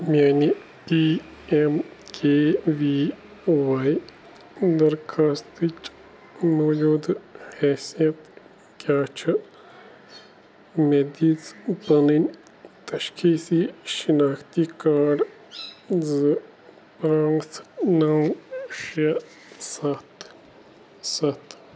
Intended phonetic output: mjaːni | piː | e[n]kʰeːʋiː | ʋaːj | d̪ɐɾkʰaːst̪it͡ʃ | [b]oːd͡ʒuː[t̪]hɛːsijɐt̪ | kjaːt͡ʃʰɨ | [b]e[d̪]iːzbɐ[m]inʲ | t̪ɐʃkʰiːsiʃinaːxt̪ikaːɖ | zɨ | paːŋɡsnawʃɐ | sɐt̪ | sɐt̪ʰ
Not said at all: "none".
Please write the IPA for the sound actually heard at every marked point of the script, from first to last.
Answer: m, m, d̪, m, d̪, n

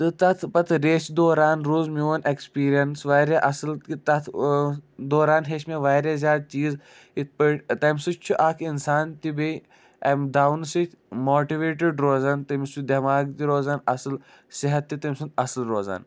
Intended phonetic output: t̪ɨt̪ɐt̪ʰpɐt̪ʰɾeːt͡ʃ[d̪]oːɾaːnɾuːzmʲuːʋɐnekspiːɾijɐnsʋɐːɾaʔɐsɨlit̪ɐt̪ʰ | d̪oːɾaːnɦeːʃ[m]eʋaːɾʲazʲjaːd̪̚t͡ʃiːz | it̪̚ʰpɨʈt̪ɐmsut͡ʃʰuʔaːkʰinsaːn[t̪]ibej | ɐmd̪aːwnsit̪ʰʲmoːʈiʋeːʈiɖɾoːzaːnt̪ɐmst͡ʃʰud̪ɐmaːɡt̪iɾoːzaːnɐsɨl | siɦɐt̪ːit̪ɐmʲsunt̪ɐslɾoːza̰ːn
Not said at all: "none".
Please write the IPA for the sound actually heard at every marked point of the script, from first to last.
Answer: d̪, m, t̪

